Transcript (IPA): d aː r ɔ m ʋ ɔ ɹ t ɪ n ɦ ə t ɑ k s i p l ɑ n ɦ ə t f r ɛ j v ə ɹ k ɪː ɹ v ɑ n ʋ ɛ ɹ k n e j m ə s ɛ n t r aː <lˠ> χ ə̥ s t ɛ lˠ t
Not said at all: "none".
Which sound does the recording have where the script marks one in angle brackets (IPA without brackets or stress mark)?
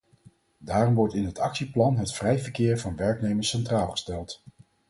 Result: lˠ